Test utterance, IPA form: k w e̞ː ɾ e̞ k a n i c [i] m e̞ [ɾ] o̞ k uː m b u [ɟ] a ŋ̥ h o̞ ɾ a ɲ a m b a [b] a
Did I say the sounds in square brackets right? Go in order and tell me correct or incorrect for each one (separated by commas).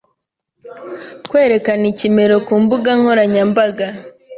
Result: correct, correct, incorrect, incorrect